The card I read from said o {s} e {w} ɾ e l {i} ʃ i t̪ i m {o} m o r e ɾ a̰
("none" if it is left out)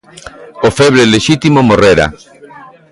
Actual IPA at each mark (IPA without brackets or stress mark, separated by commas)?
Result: f, β, e, o